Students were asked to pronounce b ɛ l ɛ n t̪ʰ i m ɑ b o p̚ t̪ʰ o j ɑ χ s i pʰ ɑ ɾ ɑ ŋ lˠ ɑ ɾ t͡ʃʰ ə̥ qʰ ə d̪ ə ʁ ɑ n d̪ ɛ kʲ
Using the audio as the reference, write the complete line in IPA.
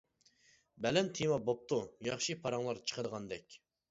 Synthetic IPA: b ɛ l ɛ n t̪ʰ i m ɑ b o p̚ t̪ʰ u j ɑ χ ʃ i pʰ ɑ ɾ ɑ ŋ lˠ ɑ ɾ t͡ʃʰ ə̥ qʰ ə d̪ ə ʁ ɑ n d̪ ɛ kʲ

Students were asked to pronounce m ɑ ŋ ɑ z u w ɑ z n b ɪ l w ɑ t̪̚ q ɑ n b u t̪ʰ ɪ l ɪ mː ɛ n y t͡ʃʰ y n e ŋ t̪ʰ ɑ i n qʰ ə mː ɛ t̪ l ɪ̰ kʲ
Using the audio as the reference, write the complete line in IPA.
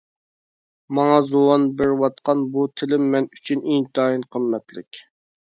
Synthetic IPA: m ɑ ŋ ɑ z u w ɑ n b ɪ ɾ w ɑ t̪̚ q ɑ n b u t̪ʰ ɪ l ɪ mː ɛ n y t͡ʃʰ y n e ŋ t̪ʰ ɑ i n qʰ ə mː ɛ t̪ l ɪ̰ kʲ

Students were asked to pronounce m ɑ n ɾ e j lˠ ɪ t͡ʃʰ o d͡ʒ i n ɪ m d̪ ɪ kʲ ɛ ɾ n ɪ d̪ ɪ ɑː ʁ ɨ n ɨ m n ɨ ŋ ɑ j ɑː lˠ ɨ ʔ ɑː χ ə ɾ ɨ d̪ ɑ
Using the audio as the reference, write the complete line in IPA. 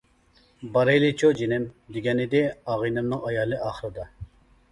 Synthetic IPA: b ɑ ɾ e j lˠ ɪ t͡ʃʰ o d͡ʒ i n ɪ m d̪ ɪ ɡʲ ɛ n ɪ d̪ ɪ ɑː ʁ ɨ n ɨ m n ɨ ŋ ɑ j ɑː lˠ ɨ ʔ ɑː χ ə ɾ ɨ d̪ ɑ

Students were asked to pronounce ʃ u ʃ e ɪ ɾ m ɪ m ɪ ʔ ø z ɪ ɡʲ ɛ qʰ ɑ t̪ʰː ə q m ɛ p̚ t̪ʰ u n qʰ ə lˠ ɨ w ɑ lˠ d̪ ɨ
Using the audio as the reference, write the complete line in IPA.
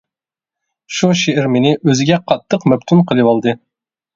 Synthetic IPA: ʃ u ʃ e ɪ ɾ m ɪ n ɪ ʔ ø z ɪ ɡʲ ɛ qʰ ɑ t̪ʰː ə q m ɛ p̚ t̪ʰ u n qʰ ə lˠ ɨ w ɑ lˠ d̪ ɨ

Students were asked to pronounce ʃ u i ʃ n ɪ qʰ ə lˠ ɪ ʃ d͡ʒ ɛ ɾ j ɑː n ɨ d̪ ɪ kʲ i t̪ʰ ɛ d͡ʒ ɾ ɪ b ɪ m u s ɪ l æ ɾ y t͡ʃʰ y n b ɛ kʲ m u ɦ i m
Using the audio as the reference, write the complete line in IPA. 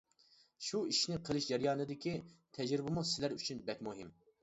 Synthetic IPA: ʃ u i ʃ n ɪ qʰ ə lˠ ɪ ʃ d͡ʒ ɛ ɾ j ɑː n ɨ d̪ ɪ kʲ i t̪ʰ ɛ d͡ʒ ɾ ɪ b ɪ m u s ɪ l æ ɾ y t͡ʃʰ y n b ɛ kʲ m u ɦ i m

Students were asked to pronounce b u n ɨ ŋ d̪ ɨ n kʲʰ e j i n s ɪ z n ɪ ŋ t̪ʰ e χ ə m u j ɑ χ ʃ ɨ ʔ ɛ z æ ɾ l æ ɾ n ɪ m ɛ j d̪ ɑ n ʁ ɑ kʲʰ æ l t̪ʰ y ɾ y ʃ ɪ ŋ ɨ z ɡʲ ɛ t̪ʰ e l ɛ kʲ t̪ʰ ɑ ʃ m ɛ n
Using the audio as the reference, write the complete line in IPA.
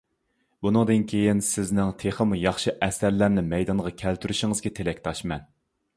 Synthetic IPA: b u n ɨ ŋ d̪ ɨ n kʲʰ e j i n s ɪ z n ɪ ŋ t̪ʰ e χ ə m u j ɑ χ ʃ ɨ ʔ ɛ s æ ɾ l æ ɾ n ɪ m ɛ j d̪ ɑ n ʁ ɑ kʲʰ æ l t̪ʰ y ɾ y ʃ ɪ ŋ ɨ z ɡʲ ɛ t̪ʰ e l ɛ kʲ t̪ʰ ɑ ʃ m ɛ n

